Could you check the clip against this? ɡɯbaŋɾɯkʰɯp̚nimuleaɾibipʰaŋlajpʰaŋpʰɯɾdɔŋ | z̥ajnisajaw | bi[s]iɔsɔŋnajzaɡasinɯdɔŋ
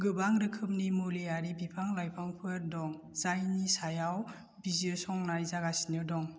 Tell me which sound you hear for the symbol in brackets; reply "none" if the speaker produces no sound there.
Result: z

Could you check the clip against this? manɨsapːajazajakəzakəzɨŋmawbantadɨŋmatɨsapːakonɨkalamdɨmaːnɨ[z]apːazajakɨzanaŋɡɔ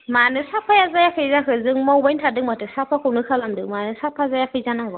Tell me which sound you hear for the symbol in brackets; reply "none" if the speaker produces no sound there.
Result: s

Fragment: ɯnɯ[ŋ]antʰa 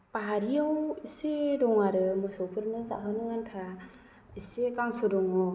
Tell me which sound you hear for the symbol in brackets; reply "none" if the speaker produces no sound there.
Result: ŋ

